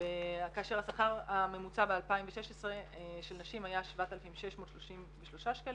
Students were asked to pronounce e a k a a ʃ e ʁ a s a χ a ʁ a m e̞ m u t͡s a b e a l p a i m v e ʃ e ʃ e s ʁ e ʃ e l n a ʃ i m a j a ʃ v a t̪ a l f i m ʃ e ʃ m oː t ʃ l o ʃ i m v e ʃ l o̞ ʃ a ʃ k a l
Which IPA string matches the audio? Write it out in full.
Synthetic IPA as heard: e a k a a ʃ e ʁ a s a χ a ʁ a m e̞ m u t͡s a b e a l p a i m v e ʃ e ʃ e s ʁ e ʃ e l n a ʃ i m a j a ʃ v a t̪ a l f i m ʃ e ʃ m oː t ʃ l o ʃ i m v e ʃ l o̞ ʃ a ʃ k a l